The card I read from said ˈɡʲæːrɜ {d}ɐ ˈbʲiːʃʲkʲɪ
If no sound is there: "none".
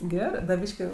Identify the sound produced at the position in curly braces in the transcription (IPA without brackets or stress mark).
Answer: d